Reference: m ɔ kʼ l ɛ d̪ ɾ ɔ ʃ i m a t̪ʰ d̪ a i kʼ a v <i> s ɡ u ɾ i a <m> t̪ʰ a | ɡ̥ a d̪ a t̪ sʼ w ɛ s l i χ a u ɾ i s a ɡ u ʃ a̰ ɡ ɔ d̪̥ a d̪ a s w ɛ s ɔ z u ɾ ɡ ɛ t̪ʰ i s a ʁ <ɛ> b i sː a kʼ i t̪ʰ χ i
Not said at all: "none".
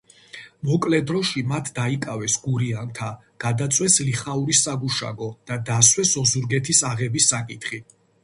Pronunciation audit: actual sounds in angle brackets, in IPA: ɛ, n, ɛ

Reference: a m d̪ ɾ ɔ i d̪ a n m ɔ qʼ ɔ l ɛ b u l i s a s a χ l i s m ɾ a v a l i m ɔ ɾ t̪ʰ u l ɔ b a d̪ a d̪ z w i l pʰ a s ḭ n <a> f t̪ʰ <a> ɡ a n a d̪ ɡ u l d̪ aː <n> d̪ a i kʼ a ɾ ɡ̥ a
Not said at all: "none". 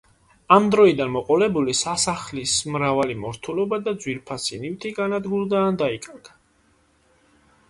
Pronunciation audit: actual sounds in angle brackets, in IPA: i, i, n

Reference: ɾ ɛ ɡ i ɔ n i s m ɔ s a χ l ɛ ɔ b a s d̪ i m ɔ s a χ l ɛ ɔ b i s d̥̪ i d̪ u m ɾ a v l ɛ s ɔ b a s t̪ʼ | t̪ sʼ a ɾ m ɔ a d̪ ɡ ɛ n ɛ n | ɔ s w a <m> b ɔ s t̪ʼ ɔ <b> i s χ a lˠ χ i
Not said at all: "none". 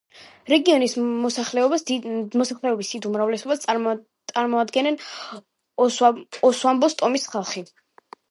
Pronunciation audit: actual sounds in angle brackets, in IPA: m, m

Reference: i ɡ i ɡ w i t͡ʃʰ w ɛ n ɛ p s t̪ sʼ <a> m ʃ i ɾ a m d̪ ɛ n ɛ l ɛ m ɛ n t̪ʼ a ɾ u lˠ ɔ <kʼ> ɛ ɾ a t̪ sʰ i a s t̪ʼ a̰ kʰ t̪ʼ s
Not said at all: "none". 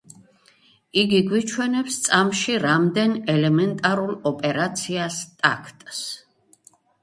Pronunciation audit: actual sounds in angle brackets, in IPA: a, pʼ

